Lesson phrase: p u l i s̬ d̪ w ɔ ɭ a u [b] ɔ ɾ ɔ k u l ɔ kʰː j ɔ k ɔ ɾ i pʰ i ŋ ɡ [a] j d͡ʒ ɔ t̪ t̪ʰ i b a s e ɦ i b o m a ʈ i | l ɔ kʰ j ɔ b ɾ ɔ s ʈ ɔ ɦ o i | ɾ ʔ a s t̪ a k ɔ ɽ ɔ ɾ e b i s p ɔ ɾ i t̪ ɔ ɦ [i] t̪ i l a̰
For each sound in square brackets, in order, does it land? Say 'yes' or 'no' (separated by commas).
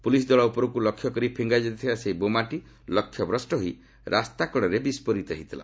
no, yes, yes